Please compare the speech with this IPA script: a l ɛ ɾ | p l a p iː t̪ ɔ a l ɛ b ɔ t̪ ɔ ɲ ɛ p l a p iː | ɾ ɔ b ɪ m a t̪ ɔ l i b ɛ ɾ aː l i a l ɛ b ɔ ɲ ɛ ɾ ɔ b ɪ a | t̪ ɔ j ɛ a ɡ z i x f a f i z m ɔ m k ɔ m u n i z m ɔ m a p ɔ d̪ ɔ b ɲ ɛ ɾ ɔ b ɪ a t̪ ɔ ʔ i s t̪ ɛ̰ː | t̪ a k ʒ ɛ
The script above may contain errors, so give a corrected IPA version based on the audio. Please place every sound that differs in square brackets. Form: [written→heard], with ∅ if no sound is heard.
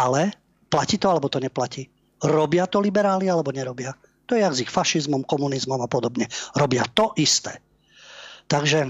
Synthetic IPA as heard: a l ɛ [ɾ→∅] | p l a [p→c] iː t̪ ɔ a l ɛ b ɔ t̪ ɔ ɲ ɛ p l a [p→c] iː | ɾ ɔ b ɪ [m→∅] a t̪ ɔ l i b ɛ ɾ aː l i a l ɛ b ɔ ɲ ɛ ɾ ɔ b ɪ a | t̪ ɔ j ɛ a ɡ z i x f a [f→ʃ] i z m ɔ m k ɔ m u n i z m ɔ m a p ɔ d̪ ɔ b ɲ ɛ ɾ ɔ b ɪ a t̪ ɔ ʔ i s t̪ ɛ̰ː | t̪ a [k→ɡ] ʒ ɛ